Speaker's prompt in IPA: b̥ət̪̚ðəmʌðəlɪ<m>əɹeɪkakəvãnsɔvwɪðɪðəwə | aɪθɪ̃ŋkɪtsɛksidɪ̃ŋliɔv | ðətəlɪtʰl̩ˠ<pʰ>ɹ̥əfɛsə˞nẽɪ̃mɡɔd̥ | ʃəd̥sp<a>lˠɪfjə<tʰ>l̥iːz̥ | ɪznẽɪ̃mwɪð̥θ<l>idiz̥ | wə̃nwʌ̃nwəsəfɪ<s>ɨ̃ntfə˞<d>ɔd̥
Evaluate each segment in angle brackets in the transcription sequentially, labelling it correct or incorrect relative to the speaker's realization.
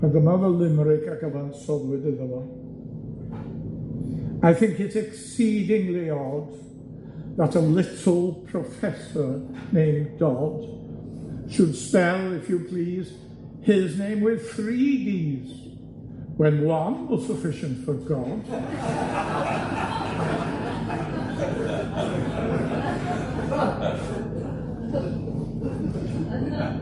correct, correct, incorrect: ɛ, incorrect: pʰ, incorrect: ɹ, incorrect: ʃ, incorrect: ɡ

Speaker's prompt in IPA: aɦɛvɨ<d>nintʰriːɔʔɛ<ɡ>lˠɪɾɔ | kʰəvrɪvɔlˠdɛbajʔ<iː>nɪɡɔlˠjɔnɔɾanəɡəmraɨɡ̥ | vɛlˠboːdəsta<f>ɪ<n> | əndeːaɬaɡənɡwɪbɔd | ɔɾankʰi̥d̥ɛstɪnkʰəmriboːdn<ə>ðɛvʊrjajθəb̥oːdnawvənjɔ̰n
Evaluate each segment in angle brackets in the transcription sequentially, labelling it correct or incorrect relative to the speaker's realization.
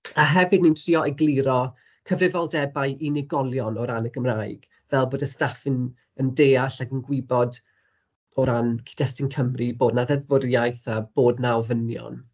correct, correct, incorrect: i, correct, correct, incorrect: a

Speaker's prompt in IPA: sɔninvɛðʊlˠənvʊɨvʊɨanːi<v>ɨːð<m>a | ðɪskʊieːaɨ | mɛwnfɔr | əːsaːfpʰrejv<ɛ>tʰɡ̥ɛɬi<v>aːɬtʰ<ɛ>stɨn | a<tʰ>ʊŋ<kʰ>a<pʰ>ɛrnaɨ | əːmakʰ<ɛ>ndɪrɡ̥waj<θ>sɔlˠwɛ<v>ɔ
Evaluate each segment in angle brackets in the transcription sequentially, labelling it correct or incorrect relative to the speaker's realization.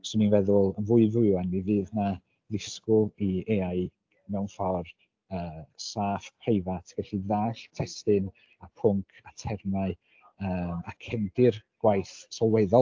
correct, incorrect: n, incorrect: a, incorrect: ð, correct, incorrect: pʰ, correct, incorrect: tʰ, correct, correct, incorrect: ð

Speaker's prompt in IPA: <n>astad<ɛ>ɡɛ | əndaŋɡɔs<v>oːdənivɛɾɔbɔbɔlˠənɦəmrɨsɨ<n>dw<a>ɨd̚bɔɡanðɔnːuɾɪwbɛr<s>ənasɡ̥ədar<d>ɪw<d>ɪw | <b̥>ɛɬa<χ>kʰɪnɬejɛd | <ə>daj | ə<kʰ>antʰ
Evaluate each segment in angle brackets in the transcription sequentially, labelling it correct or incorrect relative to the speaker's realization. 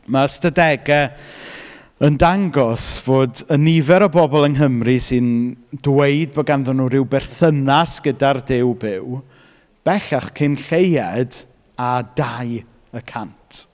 incorrect: m, correct, correct, correct, incorrect: e, incorrect: θ, correct, incorrect: b, correct, correct, incorrect: a, correct

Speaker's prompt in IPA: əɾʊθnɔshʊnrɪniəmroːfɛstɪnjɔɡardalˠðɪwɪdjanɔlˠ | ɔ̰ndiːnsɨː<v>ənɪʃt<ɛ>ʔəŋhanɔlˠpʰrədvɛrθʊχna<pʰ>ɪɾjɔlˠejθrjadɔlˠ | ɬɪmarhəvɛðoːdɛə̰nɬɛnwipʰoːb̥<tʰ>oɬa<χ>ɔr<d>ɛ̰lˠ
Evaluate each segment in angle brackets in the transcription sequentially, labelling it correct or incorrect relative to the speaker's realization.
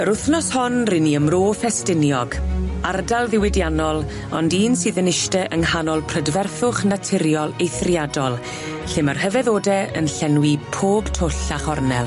incorrect: ð, correct, incorrect: tʰ, correct, correct, incorrect: n

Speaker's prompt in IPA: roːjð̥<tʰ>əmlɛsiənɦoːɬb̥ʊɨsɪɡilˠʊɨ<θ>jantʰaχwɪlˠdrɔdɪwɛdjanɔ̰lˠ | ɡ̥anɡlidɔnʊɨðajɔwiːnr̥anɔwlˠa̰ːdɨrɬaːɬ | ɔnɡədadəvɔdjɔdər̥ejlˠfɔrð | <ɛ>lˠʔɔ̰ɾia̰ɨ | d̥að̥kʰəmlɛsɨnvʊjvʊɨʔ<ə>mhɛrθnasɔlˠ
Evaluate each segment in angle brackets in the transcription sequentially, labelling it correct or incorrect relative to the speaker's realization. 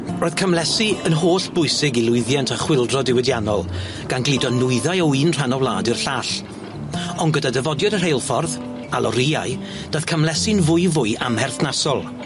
incorrect: kʰ, incorrect: ð, incorrect: a, incorrect: a

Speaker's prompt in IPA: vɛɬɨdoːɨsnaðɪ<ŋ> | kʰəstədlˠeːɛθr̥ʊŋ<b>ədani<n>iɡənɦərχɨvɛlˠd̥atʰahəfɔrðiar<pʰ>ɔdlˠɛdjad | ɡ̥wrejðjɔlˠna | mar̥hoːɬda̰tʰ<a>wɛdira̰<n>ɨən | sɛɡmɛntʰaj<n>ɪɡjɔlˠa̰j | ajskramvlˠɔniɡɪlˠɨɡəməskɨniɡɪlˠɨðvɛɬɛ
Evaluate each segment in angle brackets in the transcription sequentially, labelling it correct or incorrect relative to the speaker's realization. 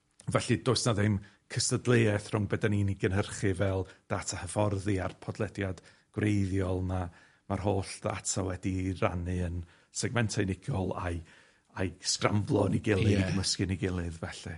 incorrect: m, correct, correct, correct, correct, correct, correct

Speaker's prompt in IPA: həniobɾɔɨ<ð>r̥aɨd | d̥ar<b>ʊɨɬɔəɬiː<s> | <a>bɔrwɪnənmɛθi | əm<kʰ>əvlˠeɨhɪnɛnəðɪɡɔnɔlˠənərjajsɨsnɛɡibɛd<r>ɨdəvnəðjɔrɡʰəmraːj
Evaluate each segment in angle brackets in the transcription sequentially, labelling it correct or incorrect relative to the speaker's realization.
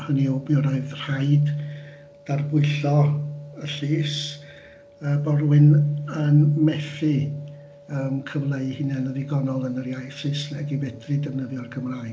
correct, correct, correct, incorrect: ə, correct, correct

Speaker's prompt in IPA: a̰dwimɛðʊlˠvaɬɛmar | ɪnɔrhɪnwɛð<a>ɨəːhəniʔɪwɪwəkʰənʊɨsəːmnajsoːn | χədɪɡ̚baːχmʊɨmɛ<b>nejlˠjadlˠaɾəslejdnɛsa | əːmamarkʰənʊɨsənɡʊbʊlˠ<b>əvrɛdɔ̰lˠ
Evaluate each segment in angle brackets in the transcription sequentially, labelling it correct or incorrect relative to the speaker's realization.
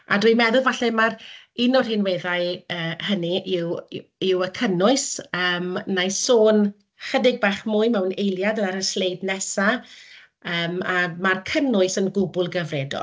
correct, incorrect: w, incorrect: ɡ

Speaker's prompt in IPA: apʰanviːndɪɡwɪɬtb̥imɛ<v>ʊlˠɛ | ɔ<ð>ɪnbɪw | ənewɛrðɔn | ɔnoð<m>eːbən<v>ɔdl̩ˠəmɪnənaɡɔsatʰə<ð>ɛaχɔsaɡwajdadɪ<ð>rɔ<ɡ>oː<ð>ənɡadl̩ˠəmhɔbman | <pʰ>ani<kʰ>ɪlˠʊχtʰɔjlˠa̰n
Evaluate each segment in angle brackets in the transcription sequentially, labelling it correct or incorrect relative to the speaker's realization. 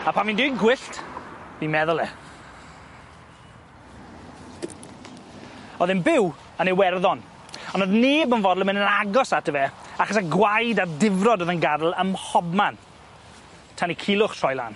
incorrect: ð, correct, incorrect: n, correct, incorrect: v, incorrect: v, incorrect: d, correct, incorrect: tʰ, correct

